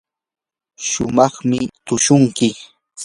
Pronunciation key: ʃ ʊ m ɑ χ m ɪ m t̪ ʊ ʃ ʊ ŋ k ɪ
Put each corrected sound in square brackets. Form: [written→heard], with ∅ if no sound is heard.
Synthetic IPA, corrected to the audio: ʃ ʊ m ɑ χ m ɪ [m→∅] t̪ ʊ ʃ ʊ ŋ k ɪ